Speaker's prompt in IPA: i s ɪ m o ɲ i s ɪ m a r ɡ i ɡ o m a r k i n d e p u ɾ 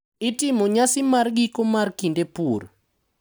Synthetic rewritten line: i t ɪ m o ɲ a s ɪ m a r ɡ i k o m a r k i n d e p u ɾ